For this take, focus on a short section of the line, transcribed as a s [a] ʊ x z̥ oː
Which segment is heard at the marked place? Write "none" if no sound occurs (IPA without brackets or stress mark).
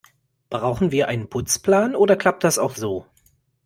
a